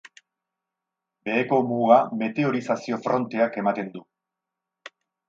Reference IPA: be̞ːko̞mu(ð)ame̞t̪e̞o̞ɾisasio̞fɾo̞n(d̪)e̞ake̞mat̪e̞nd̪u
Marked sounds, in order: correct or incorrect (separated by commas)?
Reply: incorrect, incorrect